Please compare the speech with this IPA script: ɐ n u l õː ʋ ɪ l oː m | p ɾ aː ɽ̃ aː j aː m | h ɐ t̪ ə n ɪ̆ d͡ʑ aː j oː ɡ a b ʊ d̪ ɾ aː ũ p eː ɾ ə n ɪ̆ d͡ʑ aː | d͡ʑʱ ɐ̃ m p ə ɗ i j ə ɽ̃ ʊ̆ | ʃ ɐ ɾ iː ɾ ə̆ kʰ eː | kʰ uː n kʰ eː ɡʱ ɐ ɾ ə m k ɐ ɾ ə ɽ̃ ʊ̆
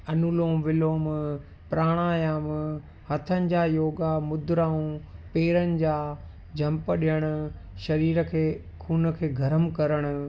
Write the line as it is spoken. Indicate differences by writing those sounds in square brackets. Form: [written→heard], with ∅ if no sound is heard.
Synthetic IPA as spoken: ɐ n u l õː ʋ ɪ l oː m | p ɾ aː ɽ̃ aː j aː m | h ɐ [t̪→t̪ʰ] ə n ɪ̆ d͡ʑ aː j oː ɡ a [b→m] ʊ d̪ ɾ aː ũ p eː ɾ ə n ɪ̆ d͡ʑ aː | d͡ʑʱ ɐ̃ m p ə ɗ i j ə ɽ̃ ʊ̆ | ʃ ɐ ɾ iː ɾ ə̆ kʰ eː | kʰ uː n kʰ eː ɡʱ ɐ ɾ ə m k ɐ ɾ ə ɽ̃ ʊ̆